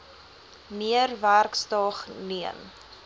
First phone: m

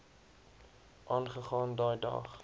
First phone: ʔ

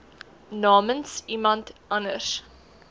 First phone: n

